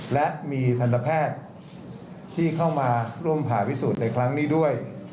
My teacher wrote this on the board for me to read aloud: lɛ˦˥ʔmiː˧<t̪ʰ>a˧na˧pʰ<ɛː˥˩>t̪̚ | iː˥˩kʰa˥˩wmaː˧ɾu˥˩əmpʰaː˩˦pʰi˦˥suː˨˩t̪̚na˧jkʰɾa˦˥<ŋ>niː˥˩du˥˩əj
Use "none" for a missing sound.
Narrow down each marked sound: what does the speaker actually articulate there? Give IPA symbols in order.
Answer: t̪ʰ, ɛː˥˩, ŋ

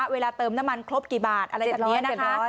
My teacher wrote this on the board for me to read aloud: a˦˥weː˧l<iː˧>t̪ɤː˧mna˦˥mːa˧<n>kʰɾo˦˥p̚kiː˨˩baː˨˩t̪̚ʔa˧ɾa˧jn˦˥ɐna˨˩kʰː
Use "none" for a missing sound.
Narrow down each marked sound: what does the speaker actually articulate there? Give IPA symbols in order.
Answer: aː˧, n

